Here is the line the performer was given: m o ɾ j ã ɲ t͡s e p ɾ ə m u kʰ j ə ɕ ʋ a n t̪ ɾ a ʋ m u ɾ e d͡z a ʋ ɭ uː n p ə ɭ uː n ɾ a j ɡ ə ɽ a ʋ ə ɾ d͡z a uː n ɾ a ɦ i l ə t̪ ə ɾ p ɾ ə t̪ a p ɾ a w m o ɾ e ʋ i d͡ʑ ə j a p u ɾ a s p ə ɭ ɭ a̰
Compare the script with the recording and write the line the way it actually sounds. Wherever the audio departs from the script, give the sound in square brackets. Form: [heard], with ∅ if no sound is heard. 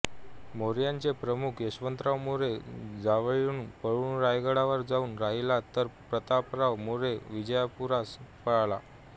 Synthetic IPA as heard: m o ɾ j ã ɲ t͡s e p ɾ ə m u kʰ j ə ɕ ʋ [ə] n t̪ ɾ a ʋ m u ɾ e d͡z a ʋ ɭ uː n p ə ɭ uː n ɾ a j ɡ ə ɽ a ʋ ə ɾ d͡z a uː n ɾ a ɦ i l [a] t̪ ə ɾ p ɾ ə t̪ a p ɾ a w m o ɾ e ʋ i d͡ʑ ə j a p u ɾ a s p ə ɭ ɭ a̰